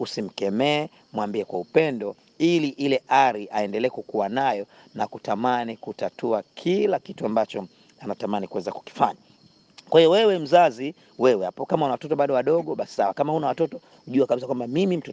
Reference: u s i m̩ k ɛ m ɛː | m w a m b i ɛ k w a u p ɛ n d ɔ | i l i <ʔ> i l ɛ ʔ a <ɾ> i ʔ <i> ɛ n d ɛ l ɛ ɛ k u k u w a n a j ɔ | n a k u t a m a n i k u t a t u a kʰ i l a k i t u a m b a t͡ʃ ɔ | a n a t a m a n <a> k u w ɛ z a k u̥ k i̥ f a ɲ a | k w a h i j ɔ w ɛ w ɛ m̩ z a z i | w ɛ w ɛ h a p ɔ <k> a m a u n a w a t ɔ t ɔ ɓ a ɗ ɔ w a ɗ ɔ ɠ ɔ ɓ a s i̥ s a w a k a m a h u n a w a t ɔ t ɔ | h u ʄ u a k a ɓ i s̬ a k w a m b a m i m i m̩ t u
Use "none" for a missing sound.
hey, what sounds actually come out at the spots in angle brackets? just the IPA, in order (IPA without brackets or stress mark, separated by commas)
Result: ʔ, ɾ, a, i, k